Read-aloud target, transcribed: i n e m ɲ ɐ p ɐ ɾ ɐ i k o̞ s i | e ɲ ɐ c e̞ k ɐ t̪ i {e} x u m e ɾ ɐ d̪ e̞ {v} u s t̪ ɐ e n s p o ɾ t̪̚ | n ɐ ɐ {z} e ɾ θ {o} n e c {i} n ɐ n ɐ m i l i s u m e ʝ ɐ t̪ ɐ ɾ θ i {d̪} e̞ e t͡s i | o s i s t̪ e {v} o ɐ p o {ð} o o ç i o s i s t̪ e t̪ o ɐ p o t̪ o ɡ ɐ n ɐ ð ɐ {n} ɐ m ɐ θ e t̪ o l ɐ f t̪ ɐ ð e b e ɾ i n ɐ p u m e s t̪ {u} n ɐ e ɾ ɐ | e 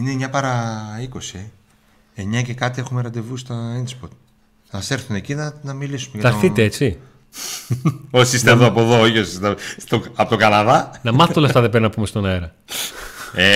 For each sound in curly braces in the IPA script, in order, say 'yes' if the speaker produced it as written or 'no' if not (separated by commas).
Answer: yes, yes, no, no, yes, no, no, yes, yes, no